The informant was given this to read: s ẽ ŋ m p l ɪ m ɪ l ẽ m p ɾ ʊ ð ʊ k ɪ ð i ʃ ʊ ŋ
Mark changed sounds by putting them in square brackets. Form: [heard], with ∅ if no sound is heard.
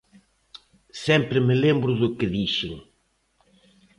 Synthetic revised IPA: s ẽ [∅] m p [ɾ] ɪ m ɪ l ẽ m [b] ɾ ʊ ð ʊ k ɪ ð i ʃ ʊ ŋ